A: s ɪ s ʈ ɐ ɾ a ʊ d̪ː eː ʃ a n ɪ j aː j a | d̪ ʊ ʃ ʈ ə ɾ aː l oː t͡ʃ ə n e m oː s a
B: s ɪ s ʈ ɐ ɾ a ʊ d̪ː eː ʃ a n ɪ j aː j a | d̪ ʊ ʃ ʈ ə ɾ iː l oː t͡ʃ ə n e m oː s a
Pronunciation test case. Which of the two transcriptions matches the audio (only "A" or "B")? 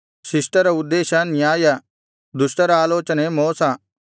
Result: A